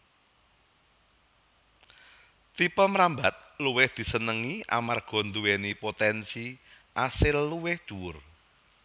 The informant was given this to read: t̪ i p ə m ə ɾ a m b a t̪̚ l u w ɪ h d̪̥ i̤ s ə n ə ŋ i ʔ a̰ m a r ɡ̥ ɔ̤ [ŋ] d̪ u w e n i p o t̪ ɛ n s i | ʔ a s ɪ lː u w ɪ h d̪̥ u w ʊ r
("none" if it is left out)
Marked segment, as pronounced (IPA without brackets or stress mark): n